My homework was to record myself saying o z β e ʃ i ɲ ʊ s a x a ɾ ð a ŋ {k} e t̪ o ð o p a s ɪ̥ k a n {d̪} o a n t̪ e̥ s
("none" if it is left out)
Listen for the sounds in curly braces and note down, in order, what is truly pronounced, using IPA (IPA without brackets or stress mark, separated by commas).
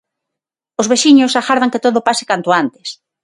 k, t̪